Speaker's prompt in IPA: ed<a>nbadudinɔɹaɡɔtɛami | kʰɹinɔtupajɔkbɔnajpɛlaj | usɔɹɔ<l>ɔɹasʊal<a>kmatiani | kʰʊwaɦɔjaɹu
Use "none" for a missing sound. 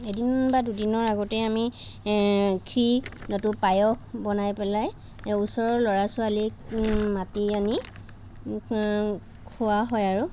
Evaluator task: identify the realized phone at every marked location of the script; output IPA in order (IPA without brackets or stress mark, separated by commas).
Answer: i, l, i